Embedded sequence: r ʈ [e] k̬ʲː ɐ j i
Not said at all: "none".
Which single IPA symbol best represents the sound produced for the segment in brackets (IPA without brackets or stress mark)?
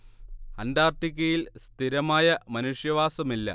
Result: i